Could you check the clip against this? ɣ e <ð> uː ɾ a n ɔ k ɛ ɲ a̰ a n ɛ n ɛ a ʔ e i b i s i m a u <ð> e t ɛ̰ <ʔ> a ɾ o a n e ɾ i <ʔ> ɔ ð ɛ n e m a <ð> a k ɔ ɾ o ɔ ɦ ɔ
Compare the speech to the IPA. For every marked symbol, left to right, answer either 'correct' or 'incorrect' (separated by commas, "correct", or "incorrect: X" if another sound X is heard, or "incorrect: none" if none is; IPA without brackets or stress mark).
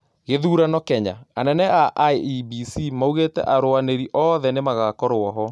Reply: correct, incorrect: ɣ, correct, correct, incorrect: ɣ